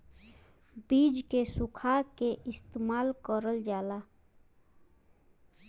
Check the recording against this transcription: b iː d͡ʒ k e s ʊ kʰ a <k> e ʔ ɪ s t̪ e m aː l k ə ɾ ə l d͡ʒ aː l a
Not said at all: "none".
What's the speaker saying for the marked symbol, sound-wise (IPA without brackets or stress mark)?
k